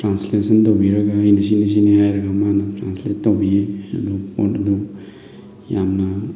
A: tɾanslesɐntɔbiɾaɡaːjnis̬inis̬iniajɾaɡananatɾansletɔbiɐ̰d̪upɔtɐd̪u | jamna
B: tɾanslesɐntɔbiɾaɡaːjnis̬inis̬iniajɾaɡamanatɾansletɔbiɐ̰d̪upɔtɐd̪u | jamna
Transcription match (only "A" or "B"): B